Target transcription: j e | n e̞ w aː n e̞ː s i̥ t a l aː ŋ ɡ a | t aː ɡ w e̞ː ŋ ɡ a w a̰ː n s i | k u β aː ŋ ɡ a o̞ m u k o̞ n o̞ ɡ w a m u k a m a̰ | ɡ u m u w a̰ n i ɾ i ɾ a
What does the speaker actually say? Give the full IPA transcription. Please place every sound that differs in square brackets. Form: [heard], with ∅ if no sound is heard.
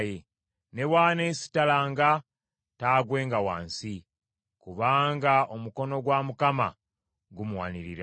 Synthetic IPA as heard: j e | n e̞ w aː n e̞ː s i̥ t a l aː ŋ ɡ a | t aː ɡ w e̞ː ŋ ɡ a w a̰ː n s i | k u β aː ŋ ɡ a o̞ m u k o̞ n o̞ ɡ w a m u k a m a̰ | ɡ u m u w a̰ n i ɾ i ɾ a

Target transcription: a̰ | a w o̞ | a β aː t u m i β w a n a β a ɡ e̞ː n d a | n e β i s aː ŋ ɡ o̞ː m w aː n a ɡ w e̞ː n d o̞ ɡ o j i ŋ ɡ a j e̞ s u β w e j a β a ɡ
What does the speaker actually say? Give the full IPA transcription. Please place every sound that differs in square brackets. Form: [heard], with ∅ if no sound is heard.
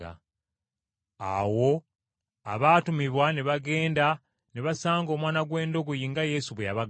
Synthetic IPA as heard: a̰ | a w o̞ | a β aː t u m i β w a n [e] β a ɡ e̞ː n d a | n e β [a] s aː ŋ ɡ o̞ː m w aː n a ɡ w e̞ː n d o̞ ɡ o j i ŋ ɡ a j e̞ s u β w e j a β a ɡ

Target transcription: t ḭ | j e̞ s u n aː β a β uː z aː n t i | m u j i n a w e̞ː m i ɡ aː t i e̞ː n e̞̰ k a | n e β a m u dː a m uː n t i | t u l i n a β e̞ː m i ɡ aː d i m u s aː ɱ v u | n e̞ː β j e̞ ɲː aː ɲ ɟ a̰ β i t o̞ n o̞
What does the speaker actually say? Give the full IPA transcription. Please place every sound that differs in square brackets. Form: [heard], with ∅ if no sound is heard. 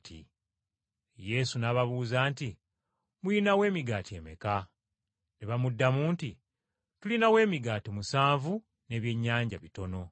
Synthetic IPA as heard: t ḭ | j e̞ s u n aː β a β uː z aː n t i | m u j i n a w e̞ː m i ɡ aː t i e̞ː [m] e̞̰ k a | n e β a m u dː a m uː n t i | t u l i n a [w] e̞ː m i ɡ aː [t] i m u s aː ɱ v u | n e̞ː β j e̞ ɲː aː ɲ ɟ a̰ β i t o̞ n o̞

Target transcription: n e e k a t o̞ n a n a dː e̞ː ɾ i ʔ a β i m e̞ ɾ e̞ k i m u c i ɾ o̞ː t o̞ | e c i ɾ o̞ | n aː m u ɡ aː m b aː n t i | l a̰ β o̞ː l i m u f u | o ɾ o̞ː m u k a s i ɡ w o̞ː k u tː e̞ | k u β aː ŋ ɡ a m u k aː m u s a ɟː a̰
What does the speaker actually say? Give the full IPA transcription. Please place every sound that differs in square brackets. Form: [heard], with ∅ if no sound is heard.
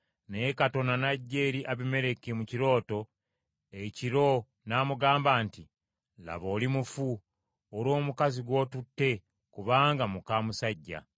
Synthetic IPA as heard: n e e k a t o̞ n a n a [ɟː] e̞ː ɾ i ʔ a β i m e̞ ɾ e̞ k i m u c i ɾ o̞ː t o̞ | e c i ɾ o̞ | n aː m u ɡ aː m b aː n t i | l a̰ β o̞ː l i m u f u | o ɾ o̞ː m u k a [z] i ɡ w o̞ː [t] u tː e̞ | k u β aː ŋ ɡ a m u k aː m u s a ɟː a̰

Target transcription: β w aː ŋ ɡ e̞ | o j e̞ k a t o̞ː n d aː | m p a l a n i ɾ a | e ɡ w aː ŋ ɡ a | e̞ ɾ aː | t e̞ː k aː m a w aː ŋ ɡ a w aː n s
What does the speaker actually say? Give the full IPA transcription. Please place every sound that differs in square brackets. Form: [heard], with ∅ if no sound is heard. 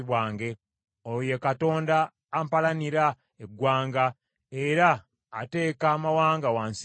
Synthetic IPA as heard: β w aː ŋ ɡ e̞ | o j e̞ k a t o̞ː n d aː | m p a l a n i ɾ a | e ɡ w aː ŋ ɡ a | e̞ ɾ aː | t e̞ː k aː m a w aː ŋ ɡ a w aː n s

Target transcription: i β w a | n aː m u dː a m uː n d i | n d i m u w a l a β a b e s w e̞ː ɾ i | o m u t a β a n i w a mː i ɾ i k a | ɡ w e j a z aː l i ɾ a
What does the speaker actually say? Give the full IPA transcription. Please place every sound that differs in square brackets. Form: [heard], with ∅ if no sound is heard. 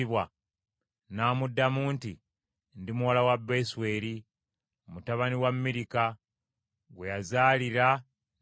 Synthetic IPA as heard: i β w a | n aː m u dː a m uː n [t] i | n d i m u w a l a [w] a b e s w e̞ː ɾ i | o m u t a β a n i w a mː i ɾ i k a | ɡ w e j a z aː l i ɾ a

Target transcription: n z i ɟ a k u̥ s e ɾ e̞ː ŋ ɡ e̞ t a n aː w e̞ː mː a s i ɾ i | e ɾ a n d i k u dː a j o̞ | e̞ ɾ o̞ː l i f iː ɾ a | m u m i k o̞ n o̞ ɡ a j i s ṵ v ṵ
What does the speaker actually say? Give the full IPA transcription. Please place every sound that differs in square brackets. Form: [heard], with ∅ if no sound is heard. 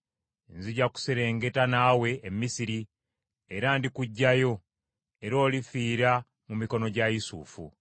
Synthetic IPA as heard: n z i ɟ a k u̥ s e ɾ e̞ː ŋ ɡ e̞ t a n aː w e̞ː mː [i] s i ɾ i | e ɾ a n d i k u [ɟː] a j o̞ | e̞ ɾ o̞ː l i f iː ɾ a | m u m i k o̞ n o̞ [ɟ] a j i s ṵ [f] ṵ

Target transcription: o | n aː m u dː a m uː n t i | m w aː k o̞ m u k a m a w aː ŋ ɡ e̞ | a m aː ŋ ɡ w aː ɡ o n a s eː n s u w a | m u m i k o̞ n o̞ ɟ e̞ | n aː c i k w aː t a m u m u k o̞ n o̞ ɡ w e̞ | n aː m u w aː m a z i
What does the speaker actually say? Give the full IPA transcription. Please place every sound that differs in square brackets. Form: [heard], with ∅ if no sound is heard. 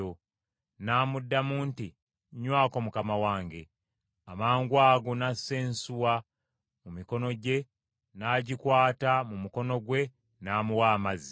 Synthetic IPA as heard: o | n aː m u dː a m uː n t i | [ɲ] w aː k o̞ m u k a m a w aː ŋ ɡ e̞ | a m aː ŋ ɡ w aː ɡ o n a s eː n s u w a | m u m i k o̞ n o̞ ɟ e̞ | n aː [ɟ] i k w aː t a m u m u k o̞ n o̞ ɡ w e̞ | n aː m u w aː m a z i

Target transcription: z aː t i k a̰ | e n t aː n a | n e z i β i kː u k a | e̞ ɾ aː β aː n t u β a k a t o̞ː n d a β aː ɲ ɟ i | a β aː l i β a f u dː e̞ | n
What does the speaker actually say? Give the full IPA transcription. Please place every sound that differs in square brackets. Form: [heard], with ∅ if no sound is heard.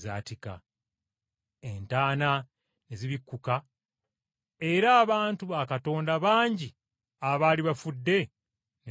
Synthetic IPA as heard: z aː t i k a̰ | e n t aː n a | n e z i β i kː u k a | e̞ ɾ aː β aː n t u β a k a t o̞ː n d a β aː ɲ ɟ i | a β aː l i β a f u dː e̞ | n

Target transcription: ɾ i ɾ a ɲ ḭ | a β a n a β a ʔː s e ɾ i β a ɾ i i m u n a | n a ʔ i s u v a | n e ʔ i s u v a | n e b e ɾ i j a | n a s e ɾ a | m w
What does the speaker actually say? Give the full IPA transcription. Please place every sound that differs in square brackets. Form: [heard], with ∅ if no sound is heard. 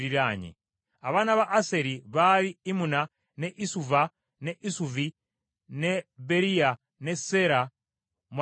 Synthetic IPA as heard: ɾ i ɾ a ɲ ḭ | a β a n a β a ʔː s e ɾ i β a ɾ i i m u n a | n [e] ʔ i s u v a | n e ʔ i s u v [i] | n e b e ɾ i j a | n [e] s e ɾ a | m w

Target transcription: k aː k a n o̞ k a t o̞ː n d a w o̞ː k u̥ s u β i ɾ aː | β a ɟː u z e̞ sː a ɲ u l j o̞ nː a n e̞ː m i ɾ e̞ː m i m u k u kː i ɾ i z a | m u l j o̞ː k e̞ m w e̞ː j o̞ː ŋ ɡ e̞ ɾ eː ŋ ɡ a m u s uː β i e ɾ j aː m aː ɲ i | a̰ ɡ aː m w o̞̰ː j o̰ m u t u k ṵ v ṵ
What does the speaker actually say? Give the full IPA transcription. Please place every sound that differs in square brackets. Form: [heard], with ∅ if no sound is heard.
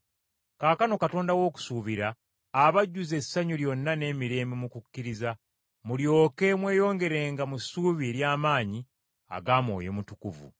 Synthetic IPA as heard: k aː k a n o̞ k a t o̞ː n d a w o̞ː k u̥ s u β i ɾ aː | β a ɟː u z e̞ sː a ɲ u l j o̞ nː a n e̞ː m i ɾ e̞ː m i m u k u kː i ɾ i z a | m u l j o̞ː k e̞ m w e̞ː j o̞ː ŋ ɡ e̞ ɾ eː ŋ ɡ a m u s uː β i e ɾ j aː m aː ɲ i | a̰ ɡ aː m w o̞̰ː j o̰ m u t u k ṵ v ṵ

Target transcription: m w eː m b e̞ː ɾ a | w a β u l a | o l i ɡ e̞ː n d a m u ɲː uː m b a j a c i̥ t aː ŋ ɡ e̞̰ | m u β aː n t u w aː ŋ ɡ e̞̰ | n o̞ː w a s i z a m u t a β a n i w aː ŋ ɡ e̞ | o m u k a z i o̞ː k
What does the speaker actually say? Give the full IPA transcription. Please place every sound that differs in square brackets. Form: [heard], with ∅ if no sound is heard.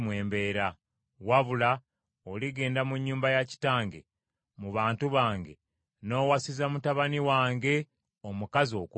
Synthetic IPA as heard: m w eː m b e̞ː ɾ a | w a β u l a | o l i ɡ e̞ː n d a m u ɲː uː m b a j a c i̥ t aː ŋ ɡ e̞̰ | m u β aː n t u [β] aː ŋ ɡ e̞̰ | n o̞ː w a s i z a m u t a β a n i w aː ŋ ɡ e̞ | o m u k a z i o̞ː k

